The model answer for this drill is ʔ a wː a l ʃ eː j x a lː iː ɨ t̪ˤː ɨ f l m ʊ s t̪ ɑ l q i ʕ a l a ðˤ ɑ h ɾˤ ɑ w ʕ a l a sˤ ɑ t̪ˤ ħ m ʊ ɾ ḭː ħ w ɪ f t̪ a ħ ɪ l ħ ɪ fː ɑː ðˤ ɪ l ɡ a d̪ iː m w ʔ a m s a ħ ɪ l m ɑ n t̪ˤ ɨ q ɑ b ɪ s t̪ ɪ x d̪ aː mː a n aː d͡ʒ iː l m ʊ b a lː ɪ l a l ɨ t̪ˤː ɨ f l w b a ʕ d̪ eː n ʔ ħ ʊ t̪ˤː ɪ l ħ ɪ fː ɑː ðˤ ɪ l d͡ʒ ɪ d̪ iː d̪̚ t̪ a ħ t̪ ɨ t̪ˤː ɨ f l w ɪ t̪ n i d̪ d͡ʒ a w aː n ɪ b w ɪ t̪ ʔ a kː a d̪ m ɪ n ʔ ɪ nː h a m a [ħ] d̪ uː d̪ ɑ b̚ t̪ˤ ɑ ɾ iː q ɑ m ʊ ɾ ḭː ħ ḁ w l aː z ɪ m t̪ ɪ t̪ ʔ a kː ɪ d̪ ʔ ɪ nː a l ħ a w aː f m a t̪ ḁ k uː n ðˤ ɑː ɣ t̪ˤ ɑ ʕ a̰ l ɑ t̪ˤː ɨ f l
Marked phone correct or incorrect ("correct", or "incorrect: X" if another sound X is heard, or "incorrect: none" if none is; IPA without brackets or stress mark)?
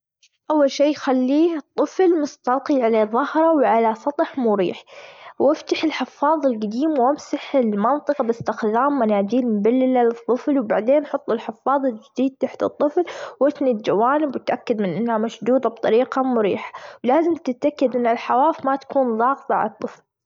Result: incorrect: ʃ